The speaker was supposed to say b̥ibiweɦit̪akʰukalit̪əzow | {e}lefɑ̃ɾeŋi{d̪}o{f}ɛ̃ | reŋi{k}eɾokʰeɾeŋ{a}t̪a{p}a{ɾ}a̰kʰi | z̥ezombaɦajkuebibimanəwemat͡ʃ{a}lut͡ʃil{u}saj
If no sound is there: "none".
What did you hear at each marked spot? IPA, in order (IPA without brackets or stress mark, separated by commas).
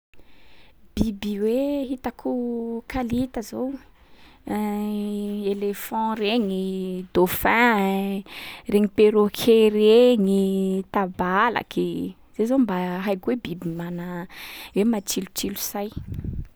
e, d̪, f, p, i, b, l, i, u